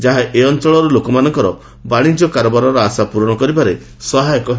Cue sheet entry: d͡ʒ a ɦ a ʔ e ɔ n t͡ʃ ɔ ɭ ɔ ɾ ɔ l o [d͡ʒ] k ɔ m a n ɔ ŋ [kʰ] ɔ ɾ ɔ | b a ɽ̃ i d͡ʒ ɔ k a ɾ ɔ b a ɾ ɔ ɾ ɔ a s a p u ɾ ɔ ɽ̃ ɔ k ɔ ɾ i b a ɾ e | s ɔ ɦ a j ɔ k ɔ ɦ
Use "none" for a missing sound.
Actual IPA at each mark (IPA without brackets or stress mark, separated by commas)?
none, k